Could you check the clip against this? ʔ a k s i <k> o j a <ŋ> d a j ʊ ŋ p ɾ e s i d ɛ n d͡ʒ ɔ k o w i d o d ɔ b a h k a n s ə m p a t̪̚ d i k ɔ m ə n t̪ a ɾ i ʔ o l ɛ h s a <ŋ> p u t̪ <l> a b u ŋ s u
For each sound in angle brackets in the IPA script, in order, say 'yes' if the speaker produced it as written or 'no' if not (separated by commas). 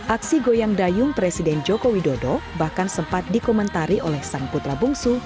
no, yes, yes, no